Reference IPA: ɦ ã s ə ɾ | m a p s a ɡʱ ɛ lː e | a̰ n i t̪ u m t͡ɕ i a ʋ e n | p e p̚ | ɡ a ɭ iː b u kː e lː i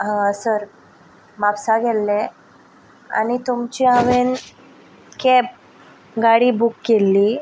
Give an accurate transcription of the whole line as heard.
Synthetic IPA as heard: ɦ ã s ə ɾ | m a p s a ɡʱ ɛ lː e | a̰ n i t̪ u m t͡ɕ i a ʋ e n | k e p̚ | ɡ a ɽ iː b u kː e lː i